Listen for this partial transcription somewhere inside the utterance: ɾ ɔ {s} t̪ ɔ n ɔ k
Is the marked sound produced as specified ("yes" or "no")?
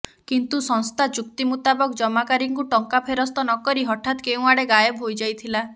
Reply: yes